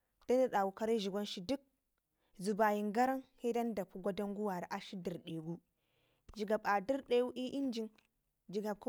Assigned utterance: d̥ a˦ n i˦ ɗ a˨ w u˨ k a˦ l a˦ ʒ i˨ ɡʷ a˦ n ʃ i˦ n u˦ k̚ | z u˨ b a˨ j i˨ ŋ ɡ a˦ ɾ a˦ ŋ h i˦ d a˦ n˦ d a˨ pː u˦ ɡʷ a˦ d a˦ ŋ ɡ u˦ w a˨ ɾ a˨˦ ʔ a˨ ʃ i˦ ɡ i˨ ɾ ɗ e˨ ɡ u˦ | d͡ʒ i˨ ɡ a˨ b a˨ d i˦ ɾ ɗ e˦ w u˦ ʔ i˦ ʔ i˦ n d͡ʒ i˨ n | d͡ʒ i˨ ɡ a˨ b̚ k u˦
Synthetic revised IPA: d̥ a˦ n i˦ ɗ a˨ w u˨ k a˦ ɾ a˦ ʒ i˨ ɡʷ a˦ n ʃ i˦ d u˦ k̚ | z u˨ b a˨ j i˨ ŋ ɡ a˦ ɾ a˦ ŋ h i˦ d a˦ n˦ d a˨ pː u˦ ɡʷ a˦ d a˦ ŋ ɡ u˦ w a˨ ɾ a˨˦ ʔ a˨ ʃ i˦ d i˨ ɾ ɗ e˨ ɡ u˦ | d͡ʒ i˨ ɡ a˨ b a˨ d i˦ ɾ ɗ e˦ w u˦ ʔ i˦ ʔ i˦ n d͡ʒ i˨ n | d͡ʒ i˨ ɡ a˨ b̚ k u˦